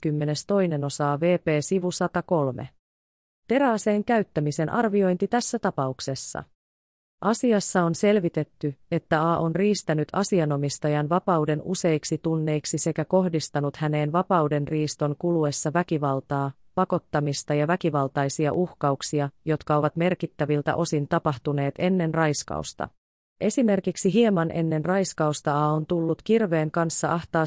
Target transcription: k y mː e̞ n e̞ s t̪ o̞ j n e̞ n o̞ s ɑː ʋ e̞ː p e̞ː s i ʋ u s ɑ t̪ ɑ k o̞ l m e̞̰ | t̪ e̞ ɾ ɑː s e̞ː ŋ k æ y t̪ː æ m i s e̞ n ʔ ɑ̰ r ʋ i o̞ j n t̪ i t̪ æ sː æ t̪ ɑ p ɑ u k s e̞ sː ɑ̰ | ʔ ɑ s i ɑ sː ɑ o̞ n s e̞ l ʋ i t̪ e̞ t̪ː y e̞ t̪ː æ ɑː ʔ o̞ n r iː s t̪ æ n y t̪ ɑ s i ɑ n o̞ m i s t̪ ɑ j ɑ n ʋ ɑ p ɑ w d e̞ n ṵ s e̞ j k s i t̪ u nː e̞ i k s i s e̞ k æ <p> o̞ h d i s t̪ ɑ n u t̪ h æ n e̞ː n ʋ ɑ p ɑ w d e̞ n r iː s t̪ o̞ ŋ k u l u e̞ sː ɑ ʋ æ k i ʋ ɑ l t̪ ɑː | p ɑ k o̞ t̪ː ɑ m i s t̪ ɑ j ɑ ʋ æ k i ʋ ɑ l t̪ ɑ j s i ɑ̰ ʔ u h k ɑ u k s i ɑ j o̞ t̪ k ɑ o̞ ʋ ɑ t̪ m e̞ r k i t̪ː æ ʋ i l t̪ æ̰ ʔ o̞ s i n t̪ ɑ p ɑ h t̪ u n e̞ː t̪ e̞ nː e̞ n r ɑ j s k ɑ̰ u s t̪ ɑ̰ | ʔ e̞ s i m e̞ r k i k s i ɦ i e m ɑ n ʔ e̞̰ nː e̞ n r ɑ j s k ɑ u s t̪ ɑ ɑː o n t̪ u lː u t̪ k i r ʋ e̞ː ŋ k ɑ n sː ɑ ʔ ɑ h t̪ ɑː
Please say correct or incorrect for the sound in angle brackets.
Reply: incorrect